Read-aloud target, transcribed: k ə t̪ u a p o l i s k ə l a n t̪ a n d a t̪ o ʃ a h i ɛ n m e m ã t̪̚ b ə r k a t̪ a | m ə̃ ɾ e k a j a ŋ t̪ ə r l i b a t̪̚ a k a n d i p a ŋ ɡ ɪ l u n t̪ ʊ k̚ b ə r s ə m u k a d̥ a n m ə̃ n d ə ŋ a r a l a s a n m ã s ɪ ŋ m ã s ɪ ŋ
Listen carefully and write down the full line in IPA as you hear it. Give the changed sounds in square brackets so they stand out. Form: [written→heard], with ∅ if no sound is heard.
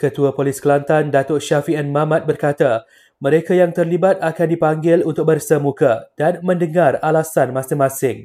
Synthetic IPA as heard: k ə t̪ u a p o l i s k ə l a n t̪ a n d a t̪ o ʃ a [h→f] i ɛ n m [e→a] m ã t̪̚ b ə r k a t̪ a | m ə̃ ɾ e k a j a ŋ t̪ ə r l i b a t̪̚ a k a n d i p a ŋ ɡ ɪ l u n t̪ ʊ k̚ b ə r s ə m u k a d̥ a n m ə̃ n d ə ŋ a r a l a s a n m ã s ɪ ŋ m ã s ɪ ŋ